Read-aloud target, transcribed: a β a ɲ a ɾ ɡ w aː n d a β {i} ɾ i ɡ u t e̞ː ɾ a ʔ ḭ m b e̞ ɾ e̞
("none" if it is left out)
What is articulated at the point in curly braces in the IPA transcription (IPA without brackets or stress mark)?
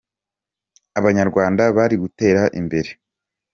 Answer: a